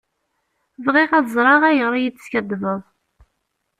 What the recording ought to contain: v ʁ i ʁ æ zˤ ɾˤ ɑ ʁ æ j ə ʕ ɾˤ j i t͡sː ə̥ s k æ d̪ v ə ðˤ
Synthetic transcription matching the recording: v ʁ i ʁ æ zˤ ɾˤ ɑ ʁ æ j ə ʁ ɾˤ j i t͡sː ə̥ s k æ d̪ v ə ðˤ